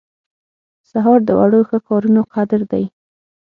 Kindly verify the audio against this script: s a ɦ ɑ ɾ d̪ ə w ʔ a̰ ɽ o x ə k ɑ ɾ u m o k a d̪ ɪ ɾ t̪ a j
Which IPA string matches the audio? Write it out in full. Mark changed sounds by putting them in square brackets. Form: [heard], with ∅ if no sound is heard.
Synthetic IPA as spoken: s a ɦ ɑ ɾ d̪ ə w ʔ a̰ ɽ o x ə k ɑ ɾ u [n] o [q] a d̪ ɪ ɾ [d̪] a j